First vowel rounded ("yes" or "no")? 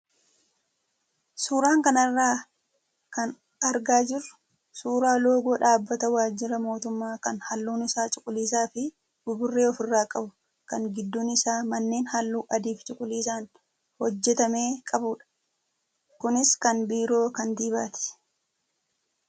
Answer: yes